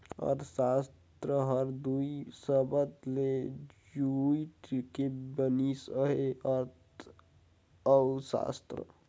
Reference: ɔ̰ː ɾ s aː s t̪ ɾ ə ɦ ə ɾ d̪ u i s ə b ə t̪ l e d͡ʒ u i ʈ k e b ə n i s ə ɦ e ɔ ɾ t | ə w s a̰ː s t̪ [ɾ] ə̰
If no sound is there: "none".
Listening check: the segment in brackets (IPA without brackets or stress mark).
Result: ɾ